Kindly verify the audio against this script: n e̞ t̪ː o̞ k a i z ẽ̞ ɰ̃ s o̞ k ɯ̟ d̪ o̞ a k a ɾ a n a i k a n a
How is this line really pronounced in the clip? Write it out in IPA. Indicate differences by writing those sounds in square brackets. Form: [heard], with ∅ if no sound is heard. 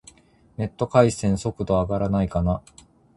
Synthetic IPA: n e̞ t̪ː o̞ k a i [s] ẽ̞ ɰ̃ s o̞ k ɯ̟ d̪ o̞ a [ɡ] a ɾ a n a i k a n a